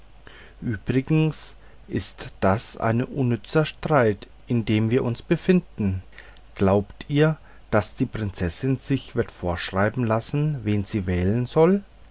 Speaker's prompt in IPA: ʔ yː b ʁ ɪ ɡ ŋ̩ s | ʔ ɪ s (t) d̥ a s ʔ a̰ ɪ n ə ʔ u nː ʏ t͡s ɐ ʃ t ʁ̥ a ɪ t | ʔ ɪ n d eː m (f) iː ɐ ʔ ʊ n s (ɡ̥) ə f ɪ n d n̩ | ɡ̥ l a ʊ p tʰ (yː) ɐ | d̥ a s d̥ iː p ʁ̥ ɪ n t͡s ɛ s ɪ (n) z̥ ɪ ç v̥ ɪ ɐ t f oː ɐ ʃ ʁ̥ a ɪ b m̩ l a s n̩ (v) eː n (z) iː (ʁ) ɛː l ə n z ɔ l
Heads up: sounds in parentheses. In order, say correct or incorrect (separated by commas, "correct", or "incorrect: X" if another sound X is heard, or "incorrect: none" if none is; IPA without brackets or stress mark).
correct, incorrect: v, incorrect: b̥, incorrect: iː, correct, correct, correct, incorrect: v